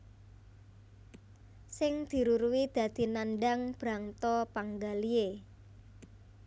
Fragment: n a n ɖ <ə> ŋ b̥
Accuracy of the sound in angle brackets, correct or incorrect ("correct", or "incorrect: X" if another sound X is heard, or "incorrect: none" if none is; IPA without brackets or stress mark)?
incorrect: a